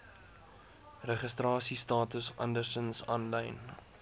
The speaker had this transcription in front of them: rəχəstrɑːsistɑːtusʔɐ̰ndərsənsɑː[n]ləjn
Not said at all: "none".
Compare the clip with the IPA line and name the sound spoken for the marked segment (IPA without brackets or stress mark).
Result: n